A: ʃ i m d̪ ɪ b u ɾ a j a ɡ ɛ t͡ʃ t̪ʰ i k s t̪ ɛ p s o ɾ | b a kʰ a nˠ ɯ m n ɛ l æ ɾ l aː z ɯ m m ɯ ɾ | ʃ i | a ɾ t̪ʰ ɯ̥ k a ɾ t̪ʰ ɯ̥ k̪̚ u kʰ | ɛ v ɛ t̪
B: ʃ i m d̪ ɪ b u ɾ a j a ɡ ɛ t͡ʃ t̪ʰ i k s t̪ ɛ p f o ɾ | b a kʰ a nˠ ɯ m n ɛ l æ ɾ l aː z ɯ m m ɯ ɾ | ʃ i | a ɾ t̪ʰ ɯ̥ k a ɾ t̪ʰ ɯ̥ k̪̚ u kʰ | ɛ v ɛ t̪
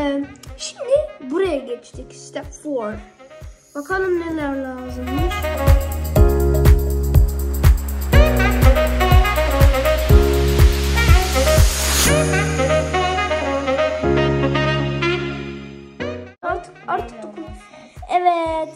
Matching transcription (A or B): B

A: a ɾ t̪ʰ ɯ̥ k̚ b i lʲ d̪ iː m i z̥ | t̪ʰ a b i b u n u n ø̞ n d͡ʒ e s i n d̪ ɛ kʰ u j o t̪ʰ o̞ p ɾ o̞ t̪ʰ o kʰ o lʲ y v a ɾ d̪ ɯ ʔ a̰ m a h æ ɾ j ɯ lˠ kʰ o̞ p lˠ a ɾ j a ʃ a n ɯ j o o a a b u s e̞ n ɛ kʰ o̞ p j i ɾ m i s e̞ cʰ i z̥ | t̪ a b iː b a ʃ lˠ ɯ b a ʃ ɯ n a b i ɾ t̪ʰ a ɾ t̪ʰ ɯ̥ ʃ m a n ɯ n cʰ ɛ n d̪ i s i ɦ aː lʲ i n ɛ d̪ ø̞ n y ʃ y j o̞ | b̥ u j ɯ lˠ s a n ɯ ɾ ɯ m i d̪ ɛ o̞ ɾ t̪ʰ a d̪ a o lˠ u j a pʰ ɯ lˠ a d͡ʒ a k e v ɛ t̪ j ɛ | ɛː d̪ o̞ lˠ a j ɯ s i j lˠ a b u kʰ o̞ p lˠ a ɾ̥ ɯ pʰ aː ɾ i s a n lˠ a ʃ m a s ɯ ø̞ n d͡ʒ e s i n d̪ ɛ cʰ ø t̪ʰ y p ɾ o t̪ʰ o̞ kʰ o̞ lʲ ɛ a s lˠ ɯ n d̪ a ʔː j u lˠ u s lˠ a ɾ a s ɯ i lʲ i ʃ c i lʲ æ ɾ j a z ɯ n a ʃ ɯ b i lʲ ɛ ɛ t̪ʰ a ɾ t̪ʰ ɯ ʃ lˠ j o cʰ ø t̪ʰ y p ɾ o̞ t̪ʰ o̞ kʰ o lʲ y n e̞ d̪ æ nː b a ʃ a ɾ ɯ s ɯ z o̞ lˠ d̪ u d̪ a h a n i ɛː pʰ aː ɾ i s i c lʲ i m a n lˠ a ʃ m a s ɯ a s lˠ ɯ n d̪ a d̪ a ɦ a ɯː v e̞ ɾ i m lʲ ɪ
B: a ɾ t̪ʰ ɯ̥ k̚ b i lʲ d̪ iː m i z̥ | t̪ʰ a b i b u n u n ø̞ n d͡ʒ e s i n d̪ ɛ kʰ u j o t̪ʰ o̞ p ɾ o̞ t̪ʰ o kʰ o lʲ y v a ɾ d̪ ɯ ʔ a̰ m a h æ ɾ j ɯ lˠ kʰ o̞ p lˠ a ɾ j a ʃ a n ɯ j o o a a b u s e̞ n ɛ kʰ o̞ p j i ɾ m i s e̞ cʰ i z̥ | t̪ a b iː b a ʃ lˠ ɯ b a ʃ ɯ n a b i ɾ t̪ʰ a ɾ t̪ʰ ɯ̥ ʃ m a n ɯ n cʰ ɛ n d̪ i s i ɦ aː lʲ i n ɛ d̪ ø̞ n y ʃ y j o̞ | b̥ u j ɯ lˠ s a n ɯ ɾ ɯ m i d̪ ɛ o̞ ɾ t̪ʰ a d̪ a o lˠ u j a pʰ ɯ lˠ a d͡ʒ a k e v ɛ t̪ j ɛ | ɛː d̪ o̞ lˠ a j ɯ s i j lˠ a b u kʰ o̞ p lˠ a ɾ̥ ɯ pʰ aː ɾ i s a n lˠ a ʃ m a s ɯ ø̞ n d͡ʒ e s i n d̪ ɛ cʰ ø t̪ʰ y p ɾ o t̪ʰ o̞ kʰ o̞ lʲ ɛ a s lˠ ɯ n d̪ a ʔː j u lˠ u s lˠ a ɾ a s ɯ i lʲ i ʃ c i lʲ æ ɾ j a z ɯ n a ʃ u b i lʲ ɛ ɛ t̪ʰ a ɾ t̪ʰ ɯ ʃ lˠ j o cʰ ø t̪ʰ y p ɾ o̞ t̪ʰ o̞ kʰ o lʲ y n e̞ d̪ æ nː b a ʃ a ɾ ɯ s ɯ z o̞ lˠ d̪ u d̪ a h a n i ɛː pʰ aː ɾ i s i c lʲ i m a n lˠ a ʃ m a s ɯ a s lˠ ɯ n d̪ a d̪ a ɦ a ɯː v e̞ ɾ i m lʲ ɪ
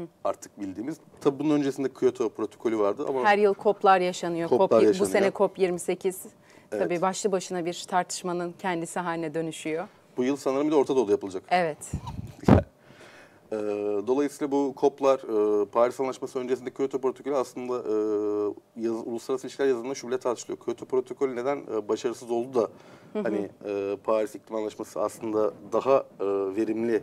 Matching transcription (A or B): B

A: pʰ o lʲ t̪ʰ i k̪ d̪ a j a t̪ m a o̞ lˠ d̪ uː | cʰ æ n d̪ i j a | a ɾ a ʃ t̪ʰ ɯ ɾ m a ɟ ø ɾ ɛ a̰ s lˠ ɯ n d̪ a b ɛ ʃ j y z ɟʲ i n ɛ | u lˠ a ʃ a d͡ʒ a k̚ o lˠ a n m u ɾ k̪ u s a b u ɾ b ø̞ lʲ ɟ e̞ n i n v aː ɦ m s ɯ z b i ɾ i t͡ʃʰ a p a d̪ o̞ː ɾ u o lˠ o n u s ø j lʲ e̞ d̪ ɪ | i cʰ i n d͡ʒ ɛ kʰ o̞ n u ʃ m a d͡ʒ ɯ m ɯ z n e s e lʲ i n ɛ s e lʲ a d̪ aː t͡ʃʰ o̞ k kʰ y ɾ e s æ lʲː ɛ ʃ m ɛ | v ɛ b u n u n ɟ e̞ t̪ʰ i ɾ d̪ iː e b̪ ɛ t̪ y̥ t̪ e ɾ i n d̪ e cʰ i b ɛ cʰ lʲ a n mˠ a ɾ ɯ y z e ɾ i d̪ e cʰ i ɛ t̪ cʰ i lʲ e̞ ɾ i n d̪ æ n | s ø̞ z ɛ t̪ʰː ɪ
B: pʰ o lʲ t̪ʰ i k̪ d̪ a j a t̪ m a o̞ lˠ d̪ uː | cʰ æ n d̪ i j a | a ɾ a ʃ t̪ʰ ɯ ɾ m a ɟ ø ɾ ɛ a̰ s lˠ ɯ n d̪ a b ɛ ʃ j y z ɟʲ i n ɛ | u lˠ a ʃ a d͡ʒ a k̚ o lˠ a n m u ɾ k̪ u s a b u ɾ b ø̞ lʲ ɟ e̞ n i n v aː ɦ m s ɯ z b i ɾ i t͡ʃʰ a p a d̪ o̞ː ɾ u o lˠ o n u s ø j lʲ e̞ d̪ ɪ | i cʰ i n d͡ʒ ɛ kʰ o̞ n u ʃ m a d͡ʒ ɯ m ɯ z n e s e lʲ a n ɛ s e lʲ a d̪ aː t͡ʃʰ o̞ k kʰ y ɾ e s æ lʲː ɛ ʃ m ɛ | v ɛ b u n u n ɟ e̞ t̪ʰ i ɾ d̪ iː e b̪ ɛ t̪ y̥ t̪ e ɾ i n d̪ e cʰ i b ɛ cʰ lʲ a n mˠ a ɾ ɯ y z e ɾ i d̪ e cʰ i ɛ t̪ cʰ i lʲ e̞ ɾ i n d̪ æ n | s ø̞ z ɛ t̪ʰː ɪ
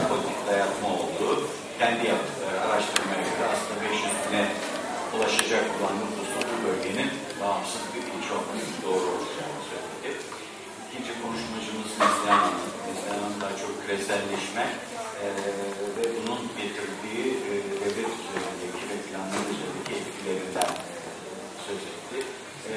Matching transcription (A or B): B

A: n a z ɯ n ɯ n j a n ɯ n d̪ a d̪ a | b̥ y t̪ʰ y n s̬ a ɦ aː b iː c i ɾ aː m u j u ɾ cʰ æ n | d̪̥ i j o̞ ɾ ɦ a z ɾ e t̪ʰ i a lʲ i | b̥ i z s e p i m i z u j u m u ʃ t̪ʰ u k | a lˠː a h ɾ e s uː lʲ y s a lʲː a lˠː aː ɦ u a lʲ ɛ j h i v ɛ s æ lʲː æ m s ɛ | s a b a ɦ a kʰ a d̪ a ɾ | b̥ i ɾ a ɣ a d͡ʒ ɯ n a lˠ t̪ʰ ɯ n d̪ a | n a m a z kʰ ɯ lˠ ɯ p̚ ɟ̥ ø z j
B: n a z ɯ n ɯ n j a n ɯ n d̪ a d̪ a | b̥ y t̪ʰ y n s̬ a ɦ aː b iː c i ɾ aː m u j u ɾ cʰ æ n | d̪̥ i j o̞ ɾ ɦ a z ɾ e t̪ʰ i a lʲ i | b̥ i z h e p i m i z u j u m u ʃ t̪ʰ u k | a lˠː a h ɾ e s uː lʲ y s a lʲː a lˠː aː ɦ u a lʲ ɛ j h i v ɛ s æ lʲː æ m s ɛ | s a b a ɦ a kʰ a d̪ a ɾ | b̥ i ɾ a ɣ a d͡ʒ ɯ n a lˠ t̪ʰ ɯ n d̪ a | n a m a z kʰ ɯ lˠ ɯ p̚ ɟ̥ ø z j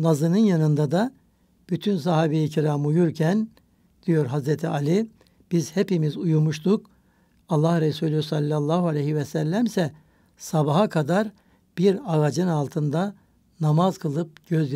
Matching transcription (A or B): B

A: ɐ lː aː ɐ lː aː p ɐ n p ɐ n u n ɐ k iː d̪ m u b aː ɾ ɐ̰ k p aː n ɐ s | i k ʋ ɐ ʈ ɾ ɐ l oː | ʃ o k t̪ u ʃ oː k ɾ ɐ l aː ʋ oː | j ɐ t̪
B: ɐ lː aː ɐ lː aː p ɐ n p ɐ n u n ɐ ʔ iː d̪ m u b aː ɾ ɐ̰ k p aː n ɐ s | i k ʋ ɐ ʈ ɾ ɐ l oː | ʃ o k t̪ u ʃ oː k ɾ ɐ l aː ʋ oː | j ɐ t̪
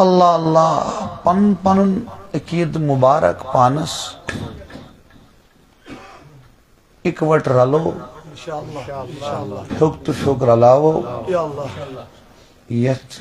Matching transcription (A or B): A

